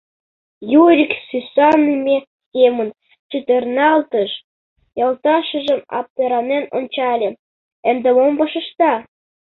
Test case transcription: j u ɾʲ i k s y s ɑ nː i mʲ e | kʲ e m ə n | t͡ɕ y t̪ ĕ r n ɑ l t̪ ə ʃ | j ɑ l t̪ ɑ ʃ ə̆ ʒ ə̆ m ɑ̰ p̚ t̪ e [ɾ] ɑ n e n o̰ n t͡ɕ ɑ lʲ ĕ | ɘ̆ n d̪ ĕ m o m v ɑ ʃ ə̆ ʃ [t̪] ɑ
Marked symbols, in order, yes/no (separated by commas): yes, yes